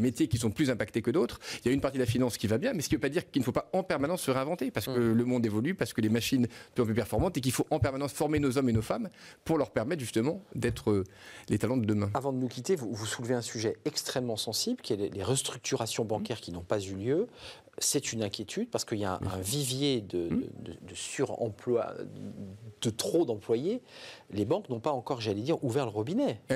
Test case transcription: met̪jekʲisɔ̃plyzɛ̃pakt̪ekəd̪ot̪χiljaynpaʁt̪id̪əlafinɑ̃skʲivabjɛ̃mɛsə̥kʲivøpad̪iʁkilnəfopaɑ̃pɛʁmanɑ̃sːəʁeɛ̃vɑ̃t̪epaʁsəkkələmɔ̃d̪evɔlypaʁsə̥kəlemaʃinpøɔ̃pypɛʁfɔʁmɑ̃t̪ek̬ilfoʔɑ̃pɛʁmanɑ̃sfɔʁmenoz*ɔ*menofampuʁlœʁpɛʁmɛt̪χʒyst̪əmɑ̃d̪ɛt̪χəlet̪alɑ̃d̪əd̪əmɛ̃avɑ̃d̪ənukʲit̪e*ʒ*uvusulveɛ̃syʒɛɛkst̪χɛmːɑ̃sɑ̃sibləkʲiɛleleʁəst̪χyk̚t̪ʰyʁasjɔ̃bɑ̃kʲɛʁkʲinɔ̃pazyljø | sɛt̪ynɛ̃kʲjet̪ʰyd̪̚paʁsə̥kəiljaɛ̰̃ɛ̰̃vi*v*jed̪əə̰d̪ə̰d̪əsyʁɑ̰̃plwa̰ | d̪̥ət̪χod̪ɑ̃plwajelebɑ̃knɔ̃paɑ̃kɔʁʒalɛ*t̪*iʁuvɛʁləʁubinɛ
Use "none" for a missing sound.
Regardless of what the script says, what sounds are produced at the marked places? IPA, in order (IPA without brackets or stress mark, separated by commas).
ɔ, v, v, d̪